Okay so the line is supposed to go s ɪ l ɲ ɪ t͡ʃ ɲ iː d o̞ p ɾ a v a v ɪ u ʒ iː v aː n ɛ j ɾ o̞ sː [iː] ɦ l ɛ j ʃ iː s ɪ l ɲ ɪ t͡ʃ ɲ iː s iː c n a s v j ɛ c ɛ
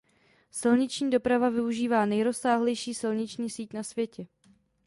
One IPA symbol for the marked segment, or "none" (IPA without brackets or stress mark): aː